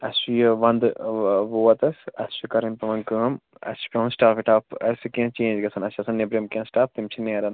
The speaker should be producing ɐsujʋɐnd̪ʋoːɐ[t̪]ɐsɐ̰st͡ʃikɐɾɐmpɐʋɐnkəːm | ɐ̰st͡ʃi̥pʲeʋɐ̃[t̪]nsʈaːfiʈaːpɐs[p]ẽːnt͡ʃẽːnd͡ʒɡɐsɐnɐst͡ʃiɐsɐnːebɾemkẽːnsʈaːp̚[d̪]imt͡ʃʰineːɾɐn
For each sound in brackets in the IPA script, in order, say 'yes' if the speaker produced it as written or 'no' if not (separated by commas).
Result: yes, no, no, no